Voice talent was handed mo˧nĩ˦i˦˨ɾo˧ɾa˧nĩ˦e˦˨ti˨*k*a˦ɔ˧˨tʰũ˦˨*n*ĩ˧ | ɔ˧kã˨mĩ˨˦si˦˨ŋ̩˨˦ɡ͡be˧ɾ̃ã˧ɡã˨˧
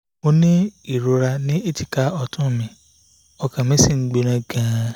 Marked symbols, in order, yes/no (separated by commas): yes, no